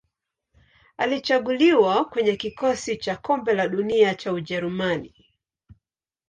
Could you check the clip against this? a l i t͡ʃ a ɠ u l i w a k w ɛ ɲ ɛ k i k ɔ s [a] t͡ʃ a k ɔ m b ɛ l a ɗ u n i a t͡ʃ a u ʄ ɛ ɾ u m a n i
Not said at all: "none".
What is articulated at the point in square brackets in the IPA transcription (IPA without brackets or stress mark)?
i